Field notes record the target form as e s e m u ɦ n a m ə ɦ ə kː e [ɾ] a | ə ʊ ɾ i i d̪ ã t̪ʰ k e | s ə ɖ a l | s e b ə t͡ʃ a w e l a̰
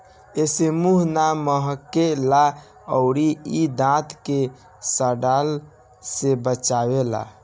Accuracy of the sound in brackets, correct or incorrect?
incorrect